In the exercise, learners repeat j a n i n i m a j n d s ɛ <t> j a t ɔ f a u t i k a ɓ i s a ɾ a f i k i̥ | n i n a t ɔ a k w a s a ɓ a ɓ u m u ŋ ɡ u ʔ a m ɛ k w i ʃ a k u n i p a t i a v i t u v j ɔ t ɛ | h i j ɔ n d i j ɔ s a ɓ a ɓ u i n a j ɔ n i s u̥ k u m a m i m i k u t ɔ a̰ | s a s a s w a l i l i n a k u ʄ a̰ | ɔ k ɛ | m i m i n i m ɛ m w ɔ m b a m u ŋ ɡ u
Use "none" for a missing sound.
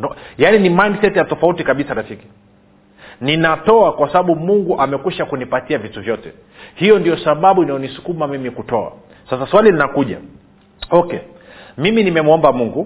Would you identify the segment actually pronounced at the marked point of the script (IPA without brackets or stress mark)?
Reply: t